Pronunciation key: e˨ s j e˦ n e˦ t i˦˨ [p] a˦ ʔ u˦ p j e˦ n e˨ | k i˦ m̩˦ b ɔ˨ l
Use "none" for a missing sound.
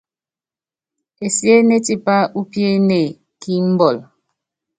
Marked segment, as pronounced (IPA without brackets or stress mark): p